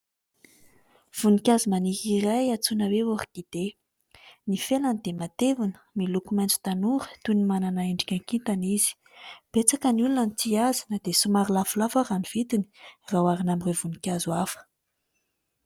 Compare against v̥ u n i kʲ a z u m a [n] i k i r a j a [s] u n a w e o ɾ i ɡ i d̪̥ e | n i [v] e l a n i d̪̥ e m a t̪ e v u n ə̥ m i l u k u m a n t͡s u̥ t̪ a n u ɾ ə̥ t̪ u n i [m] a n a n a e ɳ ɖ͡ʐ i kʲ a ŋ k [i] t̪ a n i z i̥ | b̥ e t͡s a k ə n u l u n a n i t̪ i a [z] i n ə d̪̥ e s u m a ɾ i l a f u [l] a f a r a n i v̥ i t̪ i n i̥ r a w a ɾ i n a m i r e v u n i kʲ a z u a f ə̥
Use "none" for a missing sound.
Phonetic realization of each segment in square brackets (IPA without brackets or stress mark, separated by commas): n, t͡s, f, m, i, z, l